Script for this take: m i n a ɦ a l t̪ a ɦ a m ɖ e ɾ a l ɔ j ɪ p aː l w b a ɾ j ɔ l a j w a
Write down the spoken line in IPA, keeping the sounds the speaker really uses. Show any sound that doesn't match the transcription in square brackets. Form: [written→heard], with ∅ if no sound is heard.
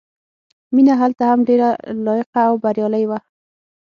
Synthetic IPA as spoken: m i n a ɦ a l t̪ a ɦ a m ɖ e ɾ a l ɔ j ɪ [p→q] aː [l→∅] w b a ɾ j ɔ l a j w a